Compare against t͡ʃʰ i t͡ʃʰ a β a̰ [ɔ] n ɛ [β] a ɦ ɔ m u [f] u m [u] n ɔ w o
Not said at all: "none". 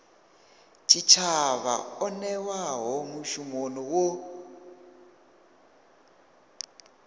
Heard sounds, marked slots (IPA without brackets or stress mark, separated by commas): ɔ, w, ʃ, o